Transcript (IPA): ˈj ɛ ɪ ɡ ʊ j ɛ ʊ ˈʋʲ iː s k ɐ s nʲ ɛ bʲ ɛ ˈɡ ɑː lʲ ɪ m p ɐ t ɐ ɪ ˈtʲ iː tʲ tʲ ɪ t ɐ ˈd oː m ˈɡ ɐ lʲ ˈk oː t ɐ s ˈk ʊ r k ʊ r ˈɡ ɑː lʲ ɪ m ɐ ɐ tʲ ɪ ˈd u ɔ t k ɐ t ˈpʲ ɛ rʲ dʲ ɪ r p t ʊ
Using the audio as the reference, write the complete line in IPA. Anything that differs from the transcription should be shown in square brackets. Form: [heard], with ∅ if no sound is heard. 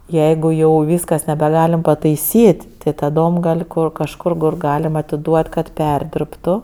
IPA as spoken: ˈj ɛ ɪ ɡ ʊ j ɛ ʊ ˈʋʲ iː s k ɐ s nʲ ɛ bʲ ɛ ˈɡ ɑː lʲ ɪ m p ɐ t ɐ ɪ [ˈsʲ] iː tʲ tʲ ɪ t ɐ ˈd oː m ˈɡ ɐ lʲ ˈk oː [k] ɐ [ʃ] ˈk ʊ r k ʊ r ˈɡ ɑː lʲ ɪ m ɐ ɐ tʲ ɪ ˈd u ɔ t k ɐ t ˈpʲ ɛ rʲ dʲ ɪ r p t ʊ